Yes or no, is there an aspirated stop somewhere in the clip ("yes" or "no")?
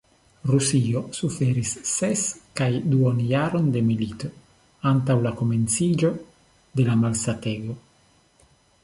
no